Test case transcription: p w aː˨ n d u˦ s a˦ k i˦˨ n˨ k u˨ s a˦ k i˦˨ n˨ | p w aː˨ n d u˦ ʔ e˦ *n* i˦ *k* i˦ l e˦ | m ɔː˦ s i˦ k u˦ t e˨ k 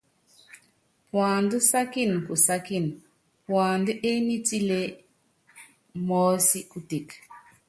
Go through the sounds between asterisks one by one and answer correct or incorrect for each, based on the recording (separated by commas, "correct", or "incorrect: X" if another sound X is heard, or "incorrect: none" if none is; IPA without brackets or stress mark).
correct, incorrect: t